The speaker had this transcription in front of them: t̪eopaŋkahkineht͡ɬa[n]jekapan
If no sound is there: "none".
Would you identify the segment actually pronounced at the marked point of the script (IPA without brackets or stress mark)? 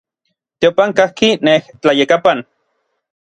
none